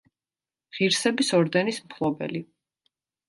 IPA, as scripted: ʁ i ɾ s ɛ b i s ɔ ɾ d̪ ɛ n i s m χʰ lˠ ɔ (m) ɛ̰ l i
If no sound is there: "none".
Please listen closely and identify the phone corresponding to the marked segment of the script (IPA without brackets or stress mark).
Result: b